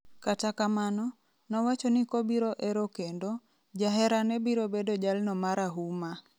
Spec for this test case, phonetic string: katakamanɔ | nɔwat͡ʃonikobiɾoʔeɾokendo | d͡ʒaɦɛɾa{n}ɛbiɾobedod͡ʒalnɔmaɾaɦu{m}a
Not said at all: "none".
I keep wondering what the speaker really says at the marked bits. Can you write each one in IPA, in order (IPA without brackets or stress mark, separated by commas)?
n, m